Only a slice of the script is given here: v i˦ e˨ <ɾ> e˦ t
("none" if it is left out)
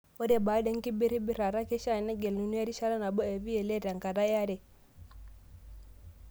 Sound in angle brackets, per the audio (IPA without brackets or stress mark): l